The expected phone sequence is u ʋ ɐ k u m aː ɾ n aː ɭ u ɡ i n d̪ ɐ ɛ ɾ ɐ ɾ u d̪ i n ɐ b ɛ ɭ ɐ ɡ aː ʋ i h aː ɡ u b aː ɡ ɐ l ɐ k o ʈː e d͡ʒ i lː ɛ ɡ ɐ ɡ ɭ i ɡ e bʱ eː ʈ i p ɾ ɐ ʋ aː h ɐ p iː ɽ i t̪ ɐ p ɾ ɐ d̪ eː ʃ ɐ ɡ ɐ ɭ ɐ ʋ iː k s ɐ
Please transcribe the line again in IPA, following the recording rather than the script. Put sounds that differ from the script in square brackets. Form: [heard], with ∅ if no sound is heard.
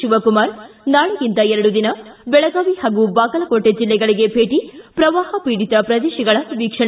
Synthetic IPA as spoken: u ʋ ɐ k u m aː ɾ n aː ɭ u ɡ i n [t̪] ɐ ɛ ɾ ɐ [ɽ] u d̪ i n ɐ b ɛ ɭ ɐ ɡ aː ʋ i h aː ɡ u b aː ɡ ɐ l ɐ k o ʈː e d͡ʒ i lː ɛ ɡ ɐ [∅] ɭ i ɡ e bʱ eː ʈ i p ɾ ɐ ʋ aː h ɐ p iː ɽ i t̪ ɐ p ɾ ɐ d̪ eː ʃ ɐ ɡ ɐ ɭ ɐ ʋ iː k [ʂ] ɐ